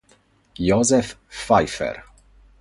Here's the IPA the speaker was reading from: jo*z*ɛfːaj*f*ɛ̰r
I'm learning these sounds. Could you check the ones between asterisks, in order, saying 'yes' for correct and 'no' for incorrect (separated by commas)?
yes, yes